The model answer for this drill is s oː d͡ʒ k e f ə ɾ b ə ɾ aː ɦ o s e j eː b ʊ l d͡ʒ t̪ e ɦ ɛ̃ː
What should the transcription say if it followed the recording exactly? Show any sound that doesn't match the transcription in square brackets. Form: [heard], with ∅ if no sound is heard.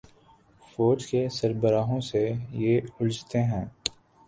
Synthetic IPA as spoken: [f] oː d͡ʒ k e [s] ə ɾ b ə ɾ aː ɦ [õ] s e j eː [∅] ʊ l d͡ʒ t̪ e ɦ ɛ̃ː